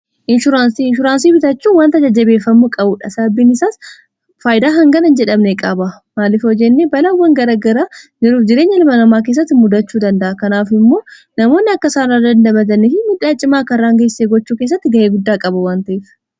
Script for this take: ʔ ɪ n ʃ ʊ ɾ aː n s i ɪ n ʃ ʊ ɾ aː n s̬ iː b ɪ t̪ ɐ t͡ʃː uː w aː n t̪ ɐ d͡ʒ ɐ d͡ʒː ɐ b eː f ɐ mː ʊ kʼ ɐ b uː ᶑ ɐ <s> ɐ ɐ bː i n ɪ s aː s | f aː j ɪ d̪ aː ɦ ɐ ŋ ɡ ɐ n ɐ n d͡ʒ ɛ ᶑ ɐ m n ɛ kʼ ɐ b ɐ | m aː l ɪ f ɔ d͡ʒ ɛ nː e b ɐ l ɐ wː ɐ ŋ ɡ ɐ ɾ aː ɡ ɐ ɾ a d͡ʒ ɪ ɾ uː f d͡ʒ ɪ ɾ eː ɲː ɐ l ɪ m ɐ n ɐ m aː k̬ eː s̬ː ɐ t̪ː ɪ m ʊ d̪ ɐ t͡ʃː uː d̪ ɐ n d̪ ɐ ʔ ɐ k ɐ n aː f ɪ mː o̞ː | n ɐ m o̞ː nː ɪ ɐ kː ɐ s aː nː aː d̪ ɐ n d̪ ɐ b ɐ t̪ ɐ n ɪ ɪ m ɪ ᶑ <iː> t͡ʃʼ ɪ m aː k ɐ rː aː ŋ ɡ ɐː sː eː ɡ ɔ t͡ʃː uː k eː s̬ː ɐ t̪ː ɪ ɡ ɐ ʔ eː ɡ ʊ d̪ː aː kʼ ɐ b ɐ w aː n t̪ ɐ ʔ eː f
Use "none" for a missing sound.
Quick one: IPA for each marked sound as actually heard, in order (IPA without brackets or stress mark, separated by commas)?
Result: s, aː